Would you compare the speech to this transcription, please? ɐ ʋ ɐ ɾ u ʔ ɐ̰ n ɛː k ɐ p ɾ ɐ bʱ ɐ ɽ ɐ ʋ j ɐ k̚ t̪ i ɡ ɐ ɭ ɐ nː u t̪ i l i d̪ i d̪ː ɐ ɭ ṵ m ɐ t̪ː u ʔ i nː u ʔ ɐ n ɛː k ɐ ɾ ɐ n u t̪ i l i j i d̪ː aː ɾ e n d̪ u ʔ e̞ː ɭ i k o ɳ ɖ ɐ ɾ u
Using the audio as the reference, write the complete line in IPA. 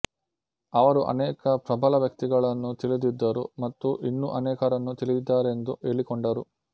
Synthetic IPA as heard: ɐ ʋ ɐ ɾ u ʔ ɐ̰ n ɛː k ɐ p ɾ ɐ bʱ ɐ l ɐ ʋ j ɐ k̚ t̪ i ɡ ɐ ɭ ɐ nː u t̪ i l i d̪ i d̪ː ɐ ɾ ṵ m ɐ t̪ː u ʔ i nː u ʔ ɐ n ɛː k ɐ ɾ ɐ nː u t̪ i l i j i d̪ː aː ɾ e n d̪ u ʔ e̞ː ɭ i k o ɳ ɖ ɐ ɾ u